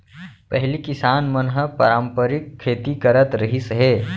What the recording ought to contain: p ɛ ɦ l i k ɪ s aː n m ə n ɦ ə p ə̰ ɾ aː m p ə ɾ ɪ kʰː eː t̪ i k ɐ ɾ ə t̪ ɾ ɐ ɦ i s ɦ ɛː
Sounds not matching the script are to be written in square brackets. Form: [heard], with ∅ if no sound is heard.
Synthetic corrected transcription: p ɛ ɦ l i k ɪ s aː n m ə n ɦ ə p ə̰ ɾ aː m p ə ɾ ɪ kʰː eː t̪ i k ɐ ɾ ə t̪ ɾ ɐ ɦ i s ɦ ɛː